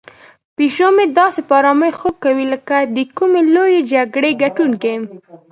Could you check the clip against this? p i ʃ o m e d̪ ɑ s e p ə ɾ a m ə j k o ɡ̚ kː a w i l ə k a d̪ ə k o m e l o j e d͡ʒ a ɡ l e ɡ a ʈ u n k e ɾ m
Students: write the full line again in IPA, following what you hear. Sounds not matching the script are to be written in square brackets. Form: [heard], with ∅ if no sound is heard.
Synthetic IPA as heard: p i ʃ o m e d̪ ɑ s e p [ɑ] ɾ [ɑ] m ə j [x] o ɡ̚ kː a w i l ə k a d̪ ə k [u] m e l o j e d͡ʒ a ɡ [ɽ] e ɡ a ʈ u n k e [∅] m

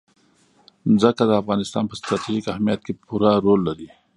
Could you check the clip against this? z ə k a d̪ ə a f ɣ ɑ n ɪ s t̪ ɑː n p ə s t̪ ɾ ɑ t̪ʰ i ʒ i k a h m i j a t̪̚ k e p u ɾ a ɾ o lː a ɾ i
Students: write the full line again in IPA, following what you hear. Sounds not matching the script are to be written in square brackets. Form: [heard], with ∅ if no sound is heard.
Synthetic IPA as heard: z ə k a d̪ ə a f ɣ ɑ n ɪ s t̪ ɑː n p ə s t̪ ɾ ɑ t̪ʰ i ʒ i k a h m i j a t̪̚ k e p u ɾ a ɾ o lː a ɾ i

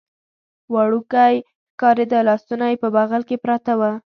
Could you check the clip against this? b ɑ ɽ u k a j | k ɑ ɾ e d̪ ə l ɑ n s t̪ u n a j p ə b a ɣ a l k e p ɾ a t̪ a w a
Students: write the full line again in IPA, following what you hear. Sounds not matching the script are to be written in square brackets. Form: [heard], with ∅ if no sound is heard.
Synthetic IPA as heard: [w] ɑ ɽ u k a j | k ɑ ɾ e d̪ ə l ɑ [∅] s t̪ u n a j p ə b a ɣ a l k e p ɾ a t̪ a w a

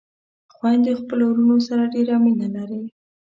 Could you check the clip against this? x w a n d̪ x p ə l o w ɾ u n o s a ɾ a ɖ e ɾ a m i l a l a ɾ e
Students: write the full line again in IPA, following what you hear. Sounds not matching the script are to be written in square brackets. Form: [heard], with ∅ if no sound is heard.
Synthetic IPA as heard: x w a n d̪ x p ə l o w ɾ u n o s a ɾ a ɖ e ɾ a m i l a l a ɾ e

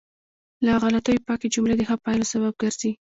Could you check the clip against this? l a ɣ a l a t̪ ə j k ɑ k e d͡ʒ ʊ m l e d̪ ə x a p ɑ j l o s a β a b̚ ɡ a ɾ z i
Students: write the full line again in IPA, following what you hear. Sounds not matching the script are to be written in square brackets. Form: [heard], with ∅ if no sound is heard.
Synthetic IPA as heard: l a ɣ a l a t̪ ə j [p] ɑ k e d͡ʒ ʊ m l e d̪ ə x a p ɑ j l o s a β a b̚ ɡ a ɾ z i

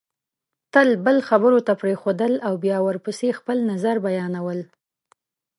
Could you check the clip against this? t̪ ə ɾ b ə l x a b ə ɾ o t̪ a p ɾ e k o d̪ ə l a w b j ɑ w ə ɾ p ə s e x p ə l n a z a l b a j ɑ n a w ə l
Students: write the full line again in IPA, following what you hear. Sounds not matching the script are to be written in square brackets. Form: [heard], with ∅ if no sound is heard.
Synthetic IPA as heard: t̪ ə [l] b ə l x a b ə ɾ o t̪ a p ɾ e [x] o d̪ ə l a w b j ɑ w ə ɾ p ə s e x p ə l n a z a [ɾ] b a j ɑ n a w ə l

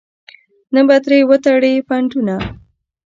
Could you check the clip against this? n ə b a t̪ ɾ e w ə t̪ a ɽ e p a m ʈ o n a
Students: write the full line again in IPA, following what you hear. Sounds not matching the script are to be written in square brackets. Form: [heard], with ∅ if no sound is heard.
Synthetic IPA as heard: n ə b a t̪ ɾ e w ə t̪ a ɽ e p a [ɳ] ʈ [u] n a

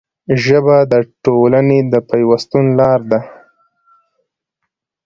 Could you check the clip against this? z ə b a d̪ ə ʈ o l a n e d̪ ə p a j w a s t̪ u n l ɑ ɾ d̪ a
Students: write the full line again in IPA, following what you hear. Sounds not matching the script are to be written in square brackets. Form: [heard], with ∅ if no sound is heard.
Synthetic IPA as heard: [ʒ] ə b a d̪ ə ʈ o l a n e d̪ ə p a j w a s t̪ u n l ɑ ɾ d̪ a

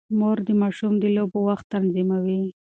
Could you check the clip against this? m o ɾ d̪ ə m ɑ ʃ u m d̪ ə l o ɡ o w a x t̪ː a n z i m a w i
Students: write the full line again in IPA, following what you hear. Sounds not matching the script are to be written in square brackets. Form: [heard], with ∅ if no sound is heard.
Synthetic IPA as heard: m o ɾ d̪ ə m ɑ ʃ u m d̪ ə l o [b] o w a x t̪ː a n z i m a w i

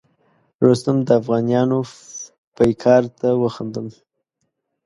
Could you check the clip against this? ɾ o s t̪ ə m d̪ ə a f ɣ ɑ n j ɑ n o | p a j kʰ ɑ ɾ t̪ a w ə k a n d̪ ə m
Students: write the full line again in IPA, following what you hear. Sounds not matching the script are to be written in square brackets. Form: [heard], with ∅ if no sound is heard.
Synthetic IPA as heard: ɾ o s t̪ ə m d̪ ə a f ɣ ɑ n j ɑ n o | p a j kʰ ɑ ɾ t̪ a w ə [x] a n d̪ ə m

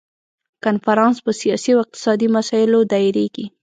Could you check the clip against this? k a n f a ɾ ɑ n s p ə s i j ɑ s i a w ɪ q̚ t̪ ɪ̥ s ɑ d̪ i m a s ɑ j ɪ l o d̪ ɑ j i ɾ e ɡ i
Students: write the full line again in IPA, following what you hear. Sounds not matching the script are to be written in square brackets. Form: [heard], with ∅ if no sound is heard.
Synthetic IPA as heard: k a n f a ɾ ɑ n s p ə s i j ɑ s i a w ɪ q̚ t̪ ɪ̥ s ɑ d̪ i m a s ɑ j ɪ l o d̪ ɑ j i ɾ e ɡ i

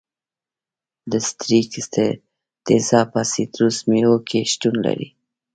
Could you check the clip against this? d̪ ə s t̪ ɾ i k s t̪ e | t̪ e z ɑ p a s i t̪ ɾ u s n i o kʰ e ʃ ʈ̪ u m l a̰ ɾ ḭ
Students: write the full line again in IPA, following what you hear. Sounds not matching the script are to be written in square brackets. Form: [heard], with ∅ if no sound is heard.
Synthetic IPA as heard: d̪ ə s t̪ ɾ i k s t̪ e | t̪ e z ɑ p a s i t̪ ɾ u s [m] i o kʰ e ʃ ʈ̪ u [n] l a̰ ɾ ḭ

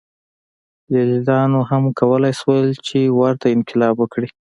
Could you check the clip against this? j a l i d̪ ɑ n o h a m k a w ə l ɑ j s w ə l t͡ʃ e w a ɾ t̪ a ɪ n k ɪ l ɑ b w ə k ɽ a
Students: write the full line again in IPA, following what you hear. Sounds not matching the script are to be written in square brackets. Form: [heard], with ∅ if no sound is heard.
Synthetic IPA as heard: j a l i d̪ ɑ n o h a m k a w ə l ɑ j s w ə l t͡ʃ e w a ɾ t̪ a ɪ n k ɪ l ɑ b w ə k ɽ [i]

